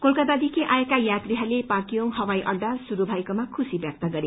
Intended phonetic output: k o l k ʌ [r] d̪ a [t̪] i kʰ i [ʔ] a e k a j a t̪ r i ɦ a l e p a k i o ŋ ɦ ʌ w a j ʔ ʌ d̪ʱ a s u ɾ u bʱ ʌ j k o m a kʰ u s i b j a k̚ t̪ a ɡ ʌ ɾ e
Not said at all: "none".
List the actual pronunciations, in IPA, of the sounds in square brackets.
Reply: none, d̪, ʔ

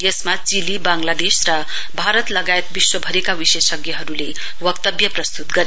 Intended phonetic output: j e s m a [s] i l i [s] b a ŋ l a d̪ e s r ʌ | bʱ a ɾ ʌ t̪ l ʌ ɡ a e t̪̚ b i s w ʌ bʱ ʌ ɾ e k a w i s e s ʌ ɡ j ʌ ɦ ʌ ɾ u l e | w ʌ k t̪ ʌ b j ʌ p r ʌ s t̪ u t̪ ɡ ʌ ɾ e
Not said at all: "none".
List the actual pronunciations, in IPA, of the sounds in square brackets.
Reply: t͡s, none

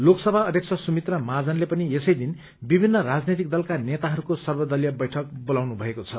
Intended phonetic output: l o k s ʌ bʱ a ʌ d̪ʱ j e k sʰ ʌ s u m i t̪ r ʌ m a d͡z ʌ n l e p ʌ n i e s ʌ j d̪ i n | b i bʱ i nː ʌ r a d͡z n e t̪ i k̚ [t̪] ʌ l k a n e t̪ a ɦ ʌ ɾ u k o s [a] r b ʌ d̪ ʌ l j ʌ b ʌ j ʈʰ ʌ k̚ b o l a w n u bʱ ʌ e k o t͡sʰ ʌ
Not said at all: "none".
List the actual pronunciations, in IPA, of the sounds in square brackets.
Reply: d̪, ʌ

